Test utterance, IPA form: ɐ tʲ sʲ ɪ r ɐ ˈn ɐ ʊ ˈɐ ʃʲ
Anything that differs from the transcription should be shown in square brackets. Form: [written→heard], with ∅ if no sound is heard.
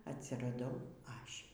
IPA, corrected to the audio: ɐ tʲ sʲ ɪ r ɐ [ˈn→ˈd] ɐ ʊ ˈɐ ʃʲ